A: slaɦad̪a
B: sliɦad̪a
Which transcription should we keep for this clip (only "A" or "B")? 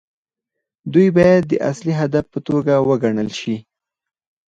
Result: B